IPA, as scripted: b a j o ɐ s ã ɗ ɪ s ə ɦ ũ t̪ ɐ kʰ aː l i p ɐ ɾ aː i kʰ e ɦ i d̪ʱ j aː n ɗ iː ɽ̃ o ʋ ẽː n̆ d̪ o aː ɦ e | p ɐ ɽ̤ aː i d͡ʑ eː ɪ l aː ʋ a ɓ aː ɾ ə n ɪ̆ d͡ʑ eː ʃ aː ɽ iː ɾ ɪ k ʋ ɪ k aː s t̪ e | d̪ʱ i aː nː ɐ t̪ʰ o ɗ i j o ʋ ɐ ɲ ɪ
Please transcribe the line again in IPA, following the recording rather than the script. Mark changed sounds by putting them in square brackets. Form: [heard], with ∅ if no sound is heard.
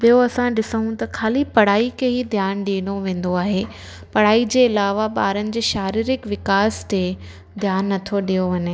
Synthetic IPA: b [i] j o ɐ s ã ɗ ɪ s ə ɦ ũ t̪ ɐ kʰ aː l i p ɐ [ɽ] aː i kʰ e ɦ i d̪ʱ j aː n ɗ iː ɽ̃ o ʋ ẽː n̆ d̪ o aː ɦ e | p ɐ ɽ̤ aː i d͡ʑ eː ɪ l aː ʋ a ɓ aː ɾ ə n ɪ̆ d͡ʑ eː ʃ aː [ɾ] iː ɾ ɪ k ʋ ɪ k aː s t̪ e | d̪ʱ [j] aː nː ɐ t̪ʰ o ɗ i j o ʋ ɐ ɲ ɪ